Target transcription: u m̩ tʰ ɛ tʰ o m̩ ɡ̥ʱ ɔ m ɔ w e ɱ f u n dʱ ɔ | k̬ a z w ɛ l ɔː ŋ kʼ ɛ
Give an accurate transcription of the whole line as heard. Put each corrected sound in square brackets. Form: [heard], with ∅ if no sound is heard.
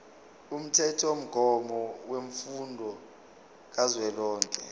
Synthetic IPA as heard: u m̩ tʰ ɛ tʰ o m̩ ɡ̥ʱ ɔ m ɔ w e ɱ f u n dʱ ɔ | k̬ a z w ɛ l ɔː ŋ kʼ ɛ

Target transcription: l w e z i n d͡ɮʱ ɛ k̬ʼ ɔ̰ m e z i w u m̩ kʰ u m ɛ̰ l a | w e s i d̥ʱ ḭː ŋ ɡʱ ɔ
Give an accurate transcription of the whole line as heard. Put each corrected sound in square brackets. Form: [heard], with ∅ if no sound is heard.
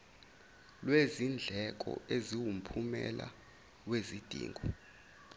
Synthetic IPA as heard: l w e z i n d͡ɮʱ ɛ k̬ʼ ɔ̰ [∅] e z i w u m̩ [pʰ] u m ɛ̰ l a | w e [z] i d̥ʱ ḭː ŋ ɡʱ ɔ

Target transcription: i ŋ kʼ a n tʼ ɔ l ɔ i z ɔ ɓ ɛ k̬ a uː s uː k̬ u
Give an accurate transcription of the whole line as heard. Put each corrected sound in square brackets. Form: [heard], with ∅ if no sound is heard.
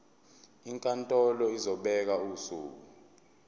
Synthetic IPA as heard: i ŋ kʼ a n tʼ ɔ l ɔ i z ɔ ɓ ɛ k̬ a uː s uː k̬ u

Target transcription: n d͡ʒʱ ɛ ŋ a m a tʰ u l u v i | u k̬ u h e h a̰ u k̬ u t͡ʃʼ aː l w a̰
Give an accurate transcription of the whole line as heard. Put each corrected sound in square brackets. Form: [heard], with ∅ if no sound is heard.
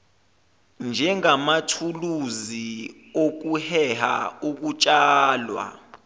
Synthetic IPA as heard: n d͡ʒʱ ɛ ŋ a m a tʰ u l u [z] i | [o] k̬ u h [ɛ] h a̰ u k̬ u t͡ʃʼ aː l w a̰

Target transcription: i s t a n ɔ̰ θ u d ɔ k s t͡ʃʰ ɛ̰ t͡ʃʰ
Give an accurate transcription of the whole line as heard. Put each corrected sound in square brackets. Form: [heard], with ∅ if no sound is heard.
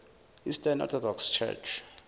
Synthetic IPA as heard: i s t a n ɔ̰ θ [ɔ] d ɔ k s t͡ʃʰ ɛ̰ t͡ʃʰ

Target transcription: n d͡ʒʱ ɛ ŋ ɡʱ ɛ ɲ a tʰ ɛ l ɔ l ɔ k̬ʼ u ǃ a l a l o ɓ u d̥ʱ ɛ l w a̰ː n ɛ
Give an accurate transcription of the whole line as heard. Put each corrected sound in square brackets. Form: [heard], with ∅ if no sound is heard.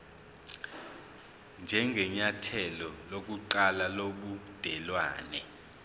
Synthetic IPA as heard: n d͡ʒʱ ɛ ŋ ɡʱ ɛ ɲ a tʰ ɛ l ɔ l [o] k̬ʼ u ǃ a l a l o ɓ u d̥ʱ ɛ l w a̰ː n ɛ

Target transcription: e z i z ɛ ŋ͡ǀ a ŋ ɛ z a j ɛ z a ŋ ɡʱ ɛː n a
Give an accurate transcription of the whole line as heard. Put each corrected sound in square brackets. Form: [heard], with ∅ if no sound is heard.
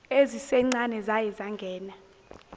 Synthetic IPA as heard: e z i [s] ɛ ŋ͡ǀ a [n] ɛ z a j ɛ z a ŋ ɡʱ ɛː n a

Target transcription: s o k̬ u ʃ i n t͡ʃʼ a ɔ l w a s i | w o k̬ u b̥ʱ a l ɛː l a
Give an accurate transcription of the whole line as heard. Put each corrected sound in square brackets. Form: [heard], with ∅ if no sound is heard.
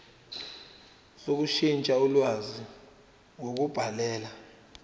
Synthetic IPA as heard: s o k̬ u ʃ i n t͡ʃʼ a [u] l w a [z] i | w o k̬ u b̥ʱ a l ɛː l a

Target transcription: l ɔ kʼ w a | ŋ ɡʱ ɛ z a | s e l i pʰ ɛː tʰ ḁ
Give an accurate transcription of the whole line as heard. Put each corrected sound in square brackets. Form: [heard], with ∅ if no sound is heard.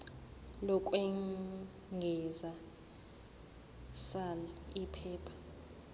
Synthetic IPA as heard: l ɔ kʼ w [ɛ] | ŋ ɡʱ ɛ z a | s [a] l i pʰ ɛː [pʰ] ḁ

